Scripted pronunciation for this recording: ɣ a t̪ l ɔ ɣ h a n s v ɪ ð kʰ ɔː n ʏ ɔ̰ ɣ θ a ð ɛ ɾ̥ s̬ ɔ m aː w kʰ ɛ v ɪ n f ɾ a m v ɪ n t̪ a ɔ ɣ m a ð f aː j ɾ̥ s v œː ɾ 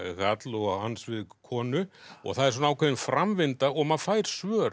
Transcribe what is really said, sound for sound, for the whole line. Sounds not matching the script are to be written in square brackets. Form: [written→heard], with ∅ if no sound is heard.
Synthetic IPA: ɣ a t̪ l ɔ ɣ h a n s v ɪ ð kʰ ɔː n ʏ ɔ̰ ɣ θ a ð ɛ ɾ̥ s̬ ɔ [m→n] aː w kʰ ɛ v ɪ n f ɾ a m v ɪ n t̪ a ɔ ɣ m a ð f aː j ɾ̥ s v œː ɾ